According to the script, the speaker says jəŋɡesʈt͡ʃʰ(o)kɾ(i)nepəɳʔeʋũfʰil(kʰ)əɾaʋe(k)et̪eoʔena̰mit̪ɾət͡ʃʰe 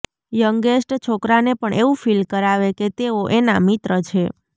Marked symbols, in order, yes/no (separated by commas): yes, no, no, yes